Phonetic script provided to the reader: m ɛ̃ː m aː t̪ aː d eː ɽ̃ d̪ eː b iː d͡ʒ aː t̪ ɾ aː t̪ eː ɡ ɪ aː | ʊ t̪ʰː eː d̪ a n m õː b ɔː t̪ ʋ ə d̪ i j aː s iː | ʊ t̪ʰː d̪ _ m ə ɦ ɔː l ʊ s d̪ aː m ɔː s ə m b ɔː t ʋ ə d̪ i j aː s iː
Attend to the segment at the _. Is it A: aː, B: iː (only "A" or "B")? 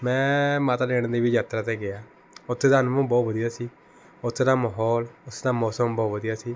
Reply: A